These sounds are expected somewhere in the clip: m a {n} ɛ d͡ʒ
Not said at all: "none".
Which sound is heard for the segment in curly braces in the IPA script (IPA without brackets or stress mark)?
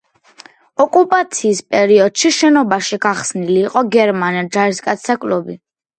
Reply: n